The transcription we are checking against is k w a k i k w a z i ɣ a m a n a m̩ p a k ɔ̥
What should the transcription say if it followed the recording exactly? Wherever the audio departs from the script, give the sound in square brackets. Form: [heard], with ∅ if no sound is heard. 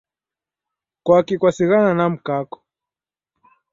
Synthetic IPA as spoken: k w a k i k w a [s] i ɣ a [n] a n a m̩ [k] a k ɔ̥